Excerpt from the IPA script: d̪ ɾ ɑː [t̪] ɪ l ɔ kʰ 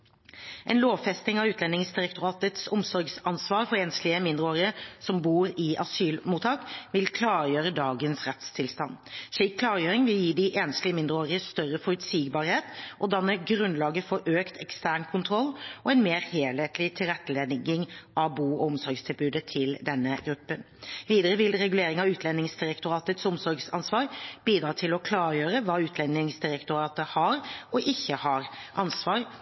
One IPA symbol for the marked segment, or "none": t̪ʰ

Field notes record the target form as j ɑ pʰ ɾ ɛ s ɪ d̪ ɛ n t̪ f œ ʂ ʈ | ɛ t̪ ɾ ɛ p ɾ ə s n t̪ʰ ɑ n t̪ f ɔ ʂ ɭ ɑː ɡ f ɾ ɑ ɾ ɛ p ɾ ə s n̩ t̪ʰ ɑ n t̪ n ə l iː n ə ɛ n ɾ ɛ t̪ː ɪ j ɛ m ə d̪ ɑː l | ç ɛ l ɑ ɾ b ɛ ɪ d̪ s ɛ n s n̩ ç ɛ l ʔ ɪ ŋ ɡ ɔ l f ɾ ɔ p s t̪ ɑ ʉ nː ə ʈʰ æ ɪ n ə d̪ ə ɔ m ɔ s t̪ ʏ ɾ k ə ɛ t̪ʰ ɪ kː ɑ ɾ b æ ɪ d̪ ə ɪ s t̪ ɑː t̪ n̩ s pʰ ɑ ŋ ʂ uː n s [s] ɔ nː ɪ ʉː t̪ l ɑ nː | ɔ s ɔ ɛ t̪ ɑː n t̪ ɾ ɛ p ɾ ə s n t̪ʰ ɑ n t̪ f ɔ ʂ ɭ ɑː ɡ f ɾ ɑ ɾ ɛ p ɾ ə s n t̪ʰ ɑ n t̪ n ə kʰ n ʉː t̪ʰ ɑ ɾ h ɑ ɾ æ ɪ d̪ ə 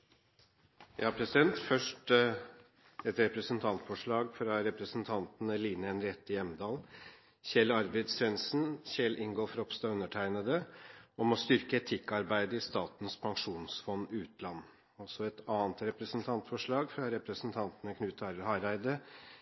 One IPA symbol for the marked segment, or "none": f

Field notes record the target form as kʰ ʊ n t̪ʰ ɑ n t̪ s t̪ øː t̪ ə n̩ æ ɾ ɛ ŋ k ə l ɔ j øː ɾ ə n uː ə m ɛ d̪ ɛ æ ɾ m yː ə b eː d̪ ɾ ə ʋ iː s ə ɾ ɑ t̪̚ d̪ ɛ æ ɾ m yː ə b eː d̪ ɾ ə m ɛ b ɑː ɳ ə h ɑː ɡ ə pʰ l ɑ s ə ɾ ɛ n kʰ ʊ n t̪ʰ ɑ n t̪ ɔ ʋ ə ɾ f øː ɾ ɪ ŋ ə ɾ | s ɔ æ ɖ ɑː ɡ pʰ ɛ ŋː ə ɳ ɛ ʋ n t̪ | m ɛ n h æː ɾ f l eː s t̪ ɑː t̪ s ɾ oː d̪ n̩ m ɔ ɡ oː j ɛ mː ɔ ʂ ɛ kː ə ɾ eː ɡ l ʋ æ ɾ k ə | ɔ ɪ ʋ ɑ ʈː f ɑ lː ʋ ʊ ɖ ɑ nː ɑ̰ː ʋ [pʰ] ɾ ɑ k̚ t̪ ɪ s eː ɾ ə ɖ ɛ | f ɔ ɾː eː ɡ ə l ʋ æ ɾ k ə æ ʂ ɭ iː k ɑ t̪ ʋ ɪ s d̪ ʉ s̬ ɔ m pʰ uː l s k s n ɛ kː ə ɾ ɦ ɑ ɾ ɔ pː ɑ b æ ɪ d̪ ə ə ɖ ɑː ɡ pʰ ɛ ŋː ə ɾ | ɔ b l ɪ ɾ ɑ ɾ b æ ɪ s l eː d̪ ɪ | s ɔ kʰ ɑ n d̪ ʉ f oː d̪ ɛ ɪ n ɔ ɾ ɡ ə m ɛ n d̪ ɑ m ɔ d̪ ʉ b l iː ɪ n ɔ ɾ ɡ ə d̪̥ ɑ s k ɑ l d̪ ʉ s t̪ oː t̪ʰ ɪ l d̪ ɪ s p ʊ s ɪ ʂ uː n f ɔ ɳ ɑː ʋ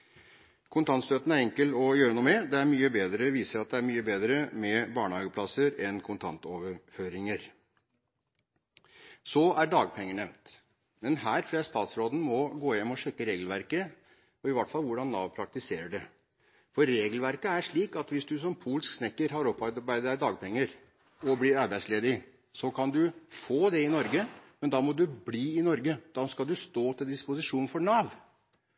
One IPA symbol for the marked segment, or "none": pʰ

